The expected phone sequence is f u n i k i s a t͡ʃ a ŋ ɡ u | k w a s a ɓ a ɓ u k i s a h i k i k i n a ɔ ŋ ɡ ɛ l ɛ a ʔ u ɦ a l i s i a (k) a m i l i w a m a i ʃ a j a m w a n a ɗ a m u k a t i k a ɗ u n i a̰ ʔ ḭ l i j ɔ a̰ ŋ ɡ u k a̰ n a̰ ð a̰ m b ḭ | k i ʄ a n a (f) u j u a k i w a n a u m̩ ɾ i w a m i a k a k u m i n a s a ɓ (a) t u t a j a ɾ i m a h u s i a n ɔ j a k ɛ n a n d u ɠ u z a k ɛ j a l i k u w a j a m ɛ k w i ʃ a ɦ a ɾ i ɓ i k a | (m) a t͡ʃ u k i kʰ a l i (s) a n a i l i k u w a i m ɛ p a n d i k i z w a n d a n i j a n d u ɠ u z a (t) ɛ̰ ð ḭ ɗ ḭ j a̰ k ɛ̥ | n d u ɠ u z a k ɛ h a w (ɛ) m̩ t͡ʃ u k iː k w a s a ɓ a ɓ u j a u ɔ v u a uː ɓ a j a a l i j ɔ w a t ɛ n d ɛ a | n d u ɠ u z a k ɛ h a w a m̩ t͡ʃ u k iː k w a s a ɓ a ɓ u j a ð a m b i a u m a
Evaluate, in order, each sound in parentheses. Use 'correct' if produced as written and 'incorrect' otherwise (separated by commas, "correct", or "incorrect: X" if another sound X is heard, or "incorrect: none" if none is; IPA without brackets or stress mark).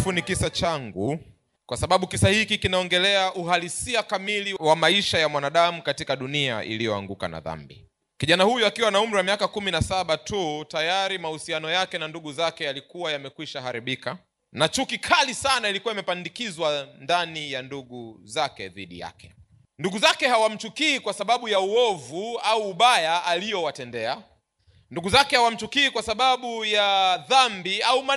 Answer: correct, incorrect: h, correct, incorrect: n, correct, incorrect: k, incorrect: a